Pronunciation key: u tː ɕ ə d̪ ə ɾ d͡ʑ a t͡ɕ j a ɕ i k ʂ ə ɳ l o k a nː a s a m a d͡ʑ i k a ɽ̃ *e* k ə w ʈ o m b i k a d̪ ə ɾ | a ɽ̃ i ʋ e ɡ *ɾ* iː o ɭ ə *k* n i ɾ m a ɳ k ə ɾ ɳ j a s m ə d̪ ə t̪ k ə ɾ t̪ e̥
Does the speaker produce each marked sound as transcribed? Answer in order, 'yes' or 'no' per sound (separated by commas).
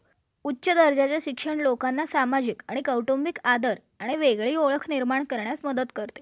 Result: no, no, no